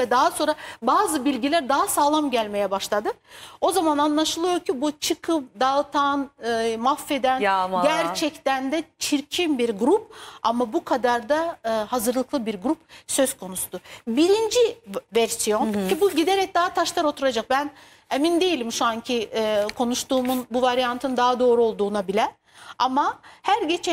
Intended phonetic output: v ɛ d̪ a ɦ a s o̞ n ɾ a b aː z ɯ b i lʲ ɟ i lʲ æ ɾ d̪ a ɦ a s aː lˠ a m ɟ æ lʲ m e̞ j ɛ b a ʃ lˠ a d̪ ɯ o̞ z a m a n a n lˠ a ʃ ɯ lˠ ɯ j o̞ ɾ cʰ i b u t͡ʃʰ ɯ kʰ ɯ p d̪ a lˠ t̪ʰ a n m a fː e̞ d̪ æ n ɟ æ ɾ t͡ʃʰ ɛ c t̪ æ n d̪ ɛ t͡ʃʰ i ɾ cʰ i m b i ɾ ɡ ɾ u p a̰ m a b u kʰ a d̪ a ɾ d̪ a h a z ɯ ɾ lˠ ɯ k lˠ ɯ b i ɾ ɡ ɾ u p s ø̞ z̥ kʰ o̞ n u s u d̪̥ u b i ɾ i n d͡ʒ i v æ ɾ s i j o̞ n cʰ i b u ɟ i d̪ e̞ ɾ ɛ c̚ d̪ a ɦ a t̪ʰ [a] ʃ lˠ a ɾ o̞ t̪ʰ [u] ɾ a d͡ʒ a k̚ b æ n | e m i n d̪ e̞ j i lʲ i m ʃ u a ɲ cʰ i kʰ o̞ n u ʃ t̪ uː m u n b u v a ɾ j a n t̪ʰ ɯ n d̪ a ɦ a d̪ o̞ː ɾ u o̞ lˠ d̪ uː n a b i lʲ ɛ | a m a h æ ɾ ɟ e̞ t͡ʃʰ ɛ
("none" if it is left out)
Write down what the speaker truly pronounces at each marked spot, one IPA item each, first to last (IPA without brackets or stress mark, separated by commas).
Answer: a, u